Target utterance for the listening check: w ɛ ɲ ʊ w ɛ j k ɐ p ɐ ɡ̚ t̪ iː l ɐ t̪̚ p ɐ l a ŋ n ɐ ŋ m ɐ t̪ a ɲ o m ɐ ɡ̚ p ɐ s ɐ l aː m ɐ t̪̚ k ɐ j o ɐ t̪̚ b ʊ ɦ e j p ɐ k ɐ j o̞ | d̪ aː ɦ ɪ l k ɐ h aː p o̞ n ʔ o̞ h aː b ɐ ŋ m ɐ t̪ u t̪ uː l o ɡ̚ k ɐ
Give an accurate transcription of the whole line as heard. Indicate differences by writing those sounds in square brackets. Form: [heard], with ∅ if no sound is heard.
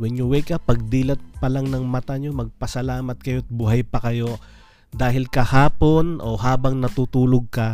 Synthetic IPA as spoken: w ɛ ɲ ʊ w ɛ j k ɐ p ɐ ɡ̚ [d̪] iː l ɐ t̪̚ p ɐ l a ŋ n ɐ ŋ m ɐ t̪ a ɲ o m ɐ ɡ̚ p ɐ s ɐ l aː m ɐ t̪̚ k ɐ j o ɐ t̪̚ b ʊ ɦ [a] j p ɐ k ɐ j o̞ | d̪ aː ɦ ɪ l k ɐ h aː p o̞ n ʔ o̞ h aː b ɐ ŋ [n] ɐ t̪ u t̪ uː l o ɡ̚ k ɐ